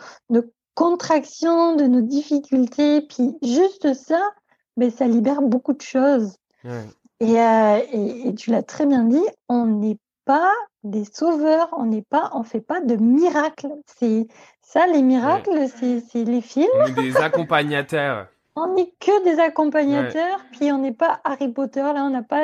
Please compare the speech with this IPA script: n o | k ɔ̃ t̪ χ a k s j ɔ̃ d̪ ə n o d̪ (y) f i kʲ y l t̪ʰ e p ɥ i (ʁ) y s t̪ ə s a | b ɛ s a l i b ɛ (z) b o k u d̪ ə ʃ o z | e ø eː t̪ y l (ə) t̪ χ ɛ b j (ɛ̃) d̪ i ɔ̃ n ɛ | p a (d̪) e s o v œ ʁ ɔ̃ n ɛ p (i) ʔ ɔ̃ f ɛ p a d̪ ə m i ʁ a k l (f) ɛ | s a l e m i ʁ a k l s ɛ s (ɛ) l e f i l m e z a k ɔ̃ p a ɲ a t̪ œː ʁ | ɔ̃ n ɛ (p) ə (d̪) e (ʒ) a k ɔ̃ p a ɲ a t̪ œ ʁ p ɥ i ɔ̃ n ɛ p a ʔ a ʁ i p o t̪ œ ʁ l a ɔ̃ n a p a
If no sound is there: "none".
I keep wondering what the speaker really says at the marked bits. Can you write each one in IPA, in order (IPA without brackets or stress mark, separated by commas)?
i, ʒ, ʁ, a, ɛ̃, d̪, a, s, ɛ, k, d̪, z